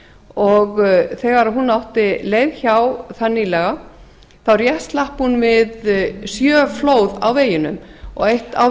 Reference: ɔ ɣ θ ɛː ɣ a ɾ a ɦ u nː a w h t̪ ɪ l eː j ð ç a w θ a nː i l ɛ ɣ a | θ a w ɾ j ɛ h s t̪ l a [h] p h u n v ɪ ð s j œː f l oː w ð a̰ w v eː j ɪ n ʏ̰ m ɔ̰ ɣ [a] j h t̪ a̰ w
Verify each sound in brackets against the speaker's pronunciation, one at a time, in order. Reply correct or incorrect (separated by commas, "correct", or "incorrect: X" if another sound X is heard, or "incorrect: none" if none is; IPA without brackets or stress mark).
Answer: correct, incorrect: e